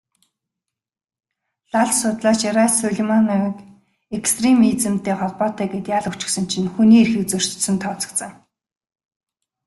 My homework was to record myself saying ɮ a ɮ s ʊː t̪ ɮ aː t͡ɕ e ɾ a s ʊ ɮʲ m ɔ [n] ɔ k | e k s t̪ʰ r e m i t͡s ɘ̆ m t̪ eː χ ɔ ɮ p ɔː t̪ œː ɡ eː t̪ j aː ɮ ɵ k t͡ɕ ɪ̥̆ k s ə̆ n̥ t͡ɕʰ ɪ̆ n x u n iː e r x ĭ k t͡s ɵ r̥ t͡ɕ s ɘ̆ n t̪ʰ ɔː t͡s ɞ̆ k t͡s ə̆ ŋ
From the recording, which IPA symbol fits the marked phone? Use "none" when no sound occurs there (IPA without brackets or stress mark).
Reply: n